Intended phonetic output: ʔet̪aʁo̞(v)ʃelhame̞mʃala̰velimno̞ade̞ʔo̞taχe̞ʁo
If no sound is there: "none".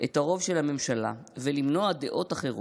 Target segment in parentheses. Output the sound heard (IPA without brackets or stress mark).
v